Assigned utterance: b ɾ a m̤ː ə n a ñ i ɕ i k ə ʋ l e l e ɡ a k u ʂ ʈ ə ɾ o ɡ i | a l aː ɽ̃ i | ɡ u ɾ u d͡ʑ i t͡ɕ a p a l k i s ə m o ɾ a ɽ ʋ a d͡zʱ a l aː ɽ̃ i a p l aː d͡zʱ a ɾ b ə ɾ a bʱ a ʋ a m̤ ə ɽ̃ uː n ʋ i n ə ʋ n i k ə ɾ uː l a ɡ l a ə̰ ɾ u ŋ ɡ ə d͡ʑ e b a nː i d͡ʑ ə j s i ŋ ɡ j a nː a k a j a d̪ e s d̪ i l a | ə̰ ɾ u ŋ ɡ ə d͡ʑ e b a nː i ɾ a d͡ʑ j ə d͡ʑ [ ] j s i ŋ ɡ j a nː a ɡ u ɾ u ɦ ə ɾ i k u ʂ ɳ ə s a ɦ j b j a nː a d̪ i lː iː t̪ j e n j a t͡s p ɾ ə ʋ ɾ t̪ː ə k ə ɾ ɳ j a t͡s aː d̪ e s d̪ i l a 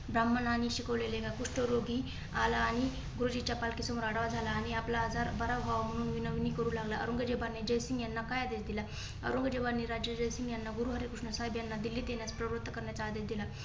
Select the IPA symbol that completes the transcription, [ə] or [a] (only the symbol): ə